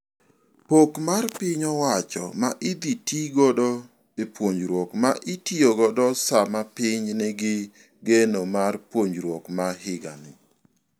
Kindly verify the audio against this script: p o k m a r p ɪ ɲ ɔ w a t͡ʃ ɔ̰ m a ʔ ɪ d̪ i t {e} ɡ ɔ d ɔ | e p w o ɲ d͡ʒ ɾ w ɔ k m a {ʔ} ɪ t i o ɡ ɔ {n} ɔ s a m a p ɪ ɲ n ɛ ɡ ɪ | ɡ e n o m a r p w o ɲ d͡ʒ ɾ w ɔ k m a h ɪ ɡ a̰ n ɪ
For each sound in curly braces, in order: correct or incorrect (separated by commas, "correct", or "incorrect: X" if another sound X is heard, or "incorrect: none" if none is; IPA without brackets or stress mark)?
incorrect: i, correct, incorrect: d